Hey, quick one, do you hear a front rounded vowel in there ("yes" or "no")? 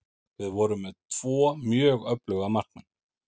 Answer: yes